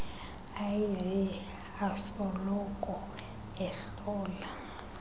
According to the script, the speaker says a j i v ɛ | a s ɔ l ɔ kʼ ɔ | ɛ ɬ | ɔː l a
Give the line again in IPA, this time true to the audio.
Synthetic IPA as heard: a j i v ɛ | a s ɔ l ɔ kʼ ɔ | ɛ ɬ | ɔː l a